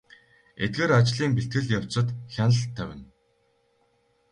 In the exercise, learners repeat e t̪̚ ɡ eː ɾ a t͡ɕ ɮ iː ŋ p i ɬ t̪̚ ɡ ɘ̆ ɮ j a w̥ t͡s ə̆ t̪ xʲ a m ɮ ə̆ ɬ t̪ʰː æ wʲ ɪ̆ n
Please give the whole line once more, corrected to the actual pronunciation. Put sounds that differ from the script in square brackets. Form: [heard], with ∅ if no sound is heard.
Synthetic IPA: e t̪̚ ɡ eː ɾ a t͡ɕ ɮ iː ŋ p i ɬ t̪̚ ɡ ɘ̆ ɮ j a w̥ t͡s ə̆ t̪ xʲ a [n] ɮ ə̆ ɬ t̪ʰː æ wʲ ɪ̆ n